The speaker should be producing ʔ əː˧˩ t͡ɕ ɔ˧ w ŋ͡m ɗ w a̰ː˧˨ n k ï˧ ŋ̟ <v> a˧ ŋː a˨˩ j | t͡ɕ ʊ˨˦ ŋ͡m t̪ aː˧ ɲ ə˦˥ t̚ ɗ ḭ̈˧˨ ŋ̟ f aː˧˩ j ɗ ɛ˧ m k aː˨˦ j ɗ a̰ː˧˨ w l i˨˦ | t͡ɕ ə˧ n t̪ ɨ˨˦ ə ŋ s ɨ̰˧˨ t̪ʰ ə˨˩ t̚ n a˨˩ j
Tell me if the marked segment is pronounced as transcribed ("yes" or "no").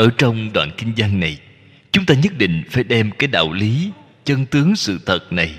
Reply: no